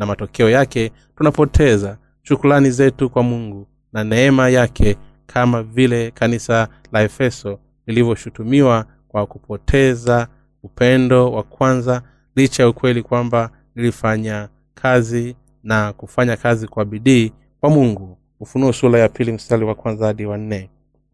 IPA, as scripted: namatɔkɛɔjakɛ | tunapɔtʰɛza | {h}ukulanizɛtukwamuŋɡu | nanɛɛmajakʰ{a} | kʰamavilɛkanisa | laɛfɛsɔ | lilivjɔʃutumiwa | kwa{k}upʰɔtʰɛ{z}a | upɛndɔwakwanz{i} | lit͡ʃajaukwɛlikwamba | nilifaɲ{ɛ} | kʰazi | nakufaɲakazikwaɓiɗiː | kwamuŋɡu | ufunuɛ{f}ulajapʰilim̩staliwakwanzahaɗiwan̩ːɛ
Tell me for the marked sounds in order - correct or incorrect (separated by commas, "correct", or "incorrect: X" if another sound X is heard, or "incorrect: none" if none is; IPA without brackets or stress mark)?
incorrect: ʃ, incorrect: ɛ, correct, correct, incorrect: a, incorrect: a, incorrect: s